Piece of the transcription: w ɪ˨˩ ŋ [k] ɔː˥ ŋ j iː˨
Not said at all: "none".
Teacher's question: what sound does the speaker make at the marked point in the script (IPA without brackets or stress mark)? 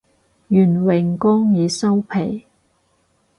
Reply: k